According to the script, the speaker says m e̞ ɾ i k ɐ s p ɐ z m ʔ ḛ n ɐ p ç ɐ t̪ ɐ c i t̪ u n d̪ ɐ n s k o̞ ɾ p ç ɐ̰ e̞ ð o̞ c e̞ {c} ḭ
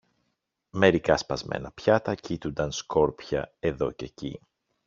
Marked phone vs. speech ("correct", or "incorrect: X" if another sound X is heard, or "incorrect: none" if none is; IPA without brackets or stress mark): correct